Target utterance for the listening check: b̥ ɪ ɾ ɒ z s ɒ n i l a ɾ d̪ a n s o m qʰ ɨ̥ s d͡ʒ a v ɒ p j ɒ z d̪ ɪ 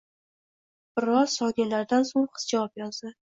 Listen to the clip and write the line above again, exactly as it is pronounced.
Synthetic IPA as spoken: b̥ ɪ ɾ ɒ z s ɒ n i l a ɾ d̪ a n s o ŋ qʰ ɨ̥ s d͡ʒ a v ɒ p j ɒ z d̪ ɪ